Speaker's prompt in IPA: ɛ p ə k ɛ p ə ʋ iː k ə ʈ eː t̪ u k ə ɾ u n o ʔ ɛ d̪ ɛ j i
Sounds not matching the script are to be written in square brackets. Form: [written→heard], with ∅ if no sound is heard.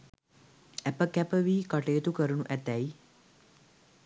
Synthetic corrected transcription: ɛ p ə k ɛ p ə ʋ iː k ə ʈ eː t̪ u k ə ɾ u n [o→u] ʔ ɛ [d̪→t̪] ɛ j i

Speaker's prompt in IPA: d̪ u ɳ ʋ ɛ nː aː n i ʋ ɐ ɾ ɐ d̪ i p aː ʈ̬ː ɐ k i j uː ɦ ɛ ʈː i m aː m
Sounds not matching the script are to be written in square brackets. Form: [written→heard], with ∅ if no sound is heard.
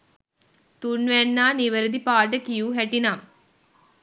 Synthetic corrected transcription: [d̪→t̪] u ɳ ʋ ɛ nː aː n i ʋ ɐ ɾ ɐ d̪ i p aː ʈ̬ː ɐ k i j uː ɦ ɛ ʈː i [m→n] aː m

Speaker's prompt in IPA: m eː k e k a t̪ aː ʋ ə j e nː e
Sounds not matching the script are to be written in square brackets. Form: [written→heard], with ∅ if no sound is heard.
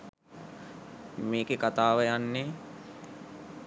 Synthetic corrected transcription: m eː k e k a t̪ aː ʋ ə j [e→a] nː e

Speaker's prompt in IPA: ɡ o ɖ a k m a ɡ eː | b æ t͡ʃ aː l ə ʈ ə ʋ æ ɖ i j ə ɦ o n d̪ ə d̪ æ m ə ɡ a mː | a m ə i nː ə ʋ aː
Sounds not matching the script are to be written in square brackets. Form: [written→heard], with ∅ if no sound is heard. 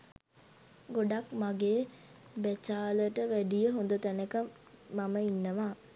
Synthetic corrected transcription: ɡ o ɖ a k m a ɡ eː | b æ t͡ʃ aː l ə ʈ ə ʋ æ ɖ i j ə ɦ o n d̪ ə [d̪→t̪] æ [m→n] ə [ɡ→k] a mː | a m ə i nː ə ʋ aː

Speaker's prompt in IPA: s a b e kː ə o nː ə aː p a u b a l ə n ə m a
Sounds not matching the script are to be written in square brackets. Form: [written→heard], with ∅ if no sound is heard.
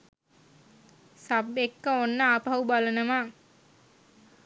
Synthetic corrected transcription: s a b e kː ə o nː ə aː p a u b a l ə n ə m a

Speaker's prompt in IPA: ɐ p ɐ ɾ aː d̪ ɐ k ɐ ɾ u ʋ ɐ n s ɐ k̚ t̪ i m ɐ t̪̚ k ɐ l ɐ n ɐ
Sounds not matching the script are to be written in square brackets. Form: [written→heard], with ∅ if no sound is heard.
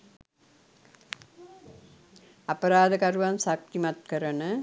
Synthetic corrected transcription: ɐ p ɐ ɾ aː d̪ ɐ k ɐ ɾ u ʋ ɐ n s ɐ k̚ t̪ i m ɐ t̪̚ k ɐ [l→ɾ] ɐ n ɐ

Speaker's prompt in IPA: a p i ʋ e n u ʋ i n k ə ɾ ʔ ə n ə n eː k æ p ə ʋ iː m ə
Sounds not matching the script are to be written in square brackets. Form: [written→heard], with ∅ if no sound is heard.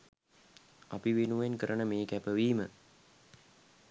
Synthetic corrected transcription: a p i ʋ e n u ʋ [i→e] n k ə ɾ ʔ ə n ə [n→m] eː k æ p ə ʋ iː m ə

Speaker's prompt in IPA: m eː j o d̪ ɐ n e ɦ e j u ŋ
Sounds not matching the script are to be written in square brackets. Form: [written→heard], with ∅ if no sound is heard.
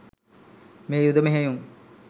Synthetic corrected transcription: m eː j [o→u] d̪ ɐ [n→m] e ɦ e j u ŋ

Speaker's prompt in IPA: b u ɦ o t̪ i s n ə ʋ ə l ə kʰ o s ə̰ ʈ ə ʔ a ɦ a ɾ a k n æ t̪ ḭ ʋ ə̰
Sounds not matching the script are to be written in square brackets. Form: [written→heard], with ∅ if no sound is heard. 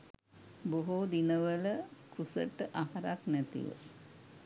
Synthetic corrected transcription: b [u→o] ɦ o [t̪→d̪] i [s→∅] n ə ʋ ə l ə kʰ [o→u] s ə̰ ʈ ə ʔ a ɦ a ɾ a k n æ t̪ ḭ ʋ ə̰

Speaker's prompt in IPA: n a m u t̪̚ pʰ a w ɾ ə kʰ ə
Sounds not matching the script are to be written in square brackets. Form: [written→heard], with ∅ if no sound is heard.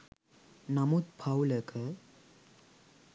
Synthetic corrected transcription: n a m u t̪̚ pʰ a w [ɾ→l] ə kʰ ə

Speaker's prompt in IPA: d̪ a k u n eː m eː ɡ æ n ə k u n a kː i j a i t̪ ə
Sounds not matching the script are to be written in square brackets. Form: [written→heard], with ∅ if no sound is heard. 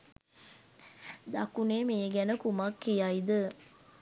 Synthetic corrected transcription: d̪ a k u n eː m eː ɡ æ n ə k u [n→m] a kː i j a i [t̪→d̪] ə

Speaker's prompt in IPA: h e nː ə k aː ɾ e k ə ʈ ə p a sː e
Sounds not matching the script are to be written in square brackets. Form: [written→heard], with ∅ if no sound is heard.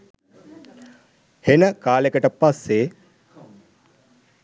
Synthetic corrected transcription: h e [nː→n] ə k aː [ɾ→l] e k ə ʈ ə p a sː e

